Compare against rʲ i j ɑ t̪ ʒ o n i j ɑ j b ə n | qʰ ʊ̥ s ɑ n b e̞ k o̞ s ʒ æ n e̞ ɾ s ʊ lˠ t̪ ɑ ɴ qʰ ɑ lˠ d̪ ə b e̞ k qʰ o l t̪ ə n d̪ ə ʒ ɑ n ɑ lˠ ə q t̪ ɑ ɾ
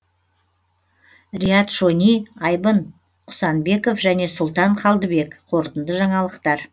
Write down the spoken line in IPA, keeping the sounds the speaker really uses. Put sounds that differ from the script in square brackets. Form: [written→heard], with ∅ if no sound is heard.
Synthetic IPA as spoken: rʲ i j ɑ t̪ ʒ o n i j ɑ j b ə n | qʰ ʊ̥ s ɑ n b e̞ k o̞ [s→f] ʒ æ n e̞ [ɾ→∅] s ʊ lˠ t̪ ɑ ɴ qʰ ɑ lˠ d̪ ə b e̞ k qʰ o [l→ɾ] t̪ ə n d̪ ə ʒ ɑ [n→ɴ] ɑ lˠ ə q t̪ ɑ ɾ

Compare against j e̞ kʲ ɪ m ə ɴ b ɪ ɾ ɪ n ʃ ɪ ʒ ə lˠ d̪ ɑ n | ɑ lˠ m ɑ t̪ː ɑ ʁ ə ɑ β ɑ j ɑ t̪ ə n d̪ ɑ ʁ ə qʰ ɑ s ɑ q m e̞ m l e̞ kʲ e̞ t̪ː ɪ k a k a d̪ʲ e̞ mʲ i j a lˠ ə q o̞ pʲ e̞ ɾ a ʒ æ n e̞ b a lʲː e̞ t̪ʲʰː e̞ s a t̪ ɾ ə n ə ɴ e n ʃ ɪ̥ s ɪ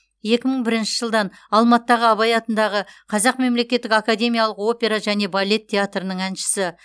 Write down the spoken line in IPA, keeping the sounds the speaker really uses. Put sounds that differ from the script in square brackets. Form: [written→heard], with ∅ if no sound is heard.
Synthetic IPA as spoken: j e̞ kʲ ɪ m ə ɴ b ɪ ɾ ɪ n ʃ ɪ ʒ ə lˠ d̪ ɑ n | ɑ lˠ m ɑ t̪ː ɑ ʁ ə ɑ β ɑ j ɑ t̪ ə n d̪ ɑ ʁ ə qʰ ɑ [s→z] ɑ q m e̞ m l e̞ kʲ e̞ t̪ː ɪ k a k a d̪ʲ e̞ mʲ i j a lˠ ə q o̞ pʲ e̞ ɾ a ʒ æ n e̞ b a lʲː e̞ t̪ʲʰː e̞ [s→∅] a t̪ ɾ ə n ə ɴ [e→æ] n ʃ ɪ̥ s ɪ

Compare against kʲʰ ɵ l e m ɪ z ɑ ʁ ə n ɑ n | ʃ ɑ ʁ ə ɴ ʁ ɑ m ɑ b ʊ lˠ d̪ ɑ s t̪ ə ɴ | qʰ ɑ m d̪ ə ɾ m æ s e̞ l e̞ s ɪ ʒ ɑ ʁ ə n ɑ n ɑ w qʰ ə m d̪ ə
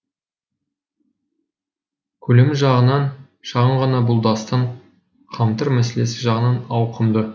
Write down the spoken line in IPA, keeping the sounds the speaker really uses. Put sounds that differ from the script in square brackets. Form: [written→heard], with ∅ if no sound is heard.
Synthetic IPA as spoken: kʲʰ ɵ l e m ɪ [z→ʒ] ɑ ʁ ə n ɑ n | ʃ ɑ ʁ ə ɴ ʁ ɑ [m→n] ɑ b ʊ lˠ d̪ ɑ s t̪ ə ɴ | qʰ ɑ m [d̪→t̪] ə ɾ m æ s e̞ l e̞ s ɪ ʒ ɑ ʁ ə n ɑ n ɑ w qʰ ə m d̪ ə

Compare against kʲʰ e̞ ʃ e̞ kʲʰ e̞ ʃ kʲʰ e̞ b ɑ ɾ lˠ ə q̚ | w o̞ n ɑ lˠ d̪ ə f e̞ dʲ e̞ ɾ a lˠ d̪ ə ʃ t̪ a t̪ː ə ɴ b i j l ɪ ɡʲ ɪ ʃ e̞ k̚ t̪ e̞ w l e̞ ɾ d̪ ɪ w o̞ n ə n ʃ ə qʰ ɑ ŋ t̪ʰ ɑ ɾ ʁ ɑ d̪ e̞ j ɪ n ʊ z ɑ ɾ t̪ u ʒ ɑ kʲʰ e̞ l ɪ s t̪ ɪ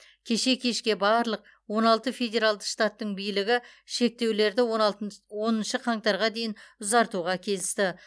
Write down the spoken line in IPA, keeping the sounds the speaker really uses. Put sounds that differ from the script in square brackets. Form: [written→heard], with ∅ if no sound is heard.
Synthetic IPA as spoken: kʲʰ e̞ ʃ e̞ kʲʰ e̞ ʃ [kʲʰ→kʲ] e̞ b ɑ ɾ lˠ ə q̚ | w o̞ n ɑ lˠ [d̪→t̪] ə f e̞ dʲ e̞ ɾ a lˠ d̪ ə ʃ t̪ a t̪ː ə ɴ b i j l ɪ ɡʲ ɪ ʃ e̞ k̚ t̪ e̞ w l e̞ ɾ d̪ ɪ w o̞ n ə n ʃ ə qʰ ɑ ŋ [t̪ʰ→t̪] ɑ ɾ ʁ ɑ d̪ e̞ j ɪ n ʊ z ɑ ɾ t̪ u [ʒ→ʁ] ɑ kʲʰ e̞ l ɪ s t̪ ɪ

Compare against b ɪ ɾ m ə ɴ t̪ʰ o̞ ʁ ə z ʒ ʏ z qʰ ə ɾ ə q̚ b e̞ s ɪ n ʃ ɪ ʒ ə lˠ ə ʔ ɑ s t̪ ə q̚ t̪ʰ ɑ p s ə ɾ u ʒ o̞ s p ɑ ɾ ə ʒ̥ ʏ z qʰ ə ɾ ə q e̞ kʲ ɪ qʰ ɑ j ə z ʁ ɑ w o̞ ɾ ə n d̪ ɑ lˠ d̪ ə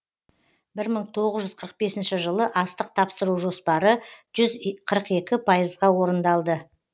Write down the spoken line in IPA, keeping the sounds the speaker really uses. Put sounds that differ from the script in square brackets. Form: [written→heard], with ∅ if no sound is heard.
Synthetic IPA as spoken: b ɪ ɾ m ə ɴ t̪ʰ o̞ ʁ ə z ʒ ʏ z qʰ ə ɾ ə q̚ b e̞ s ɪ n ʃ ɪ ʒ ə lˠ ə ʔ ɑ s t̪ ə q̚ t̪ʰ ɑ p s ə ɾ u ʒ o̞ s p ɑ ɾ ə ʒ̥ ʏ z qʰ ə ɾ ə q e̞ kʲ ɪ [qʰ→pʰ] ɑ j ə z ʁ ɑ w o̞ ɾ ə n d̪ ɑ lˠ d̪ ə

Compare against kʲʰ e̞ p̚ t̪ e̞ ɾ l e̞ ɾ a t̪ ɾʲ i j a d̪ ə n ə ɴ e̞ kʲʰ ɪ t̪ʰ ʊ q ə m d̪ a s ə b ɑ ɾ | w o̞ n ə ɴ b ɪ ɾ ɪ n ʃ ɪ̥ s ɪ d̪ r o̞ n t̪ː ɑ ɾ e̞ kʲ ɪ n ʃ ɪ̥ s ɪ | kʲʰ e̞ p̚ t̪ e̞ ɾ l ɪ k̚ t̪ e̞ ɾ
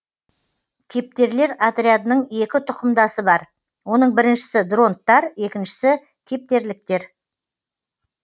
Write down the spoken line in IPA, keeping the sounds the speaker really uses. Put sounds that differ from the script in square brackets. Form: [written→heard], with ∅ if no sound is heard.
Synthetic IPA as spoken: kʲʰ e̞ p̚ t̪ e̞ ɾ l e̞ ɾ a t̪ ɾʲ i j a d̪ ə n ə ɴ e̞ [kʲʰ→kʲ] ɪ t̪ʰ ʊ q ə m d̪ [a→ɑ] s ə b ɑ ɾ | w o̞ n ə ɴ b ɪ ɾ ɪ n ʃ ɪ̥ s ɪ d̪ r o̞ n t̪ː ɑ ɾ e̞ kʲ ɪ n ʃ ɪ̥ s ɪ | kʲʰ e̞ p̚ t̪ e̞ ɾ l ɪ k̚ t̪ e̞ ɾ

